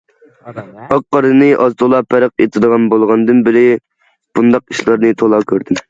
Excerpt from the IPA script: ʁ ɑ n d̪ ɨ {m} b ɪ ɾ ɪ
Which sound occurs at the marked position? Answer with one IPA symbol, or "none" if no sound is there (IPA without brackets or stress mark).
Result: n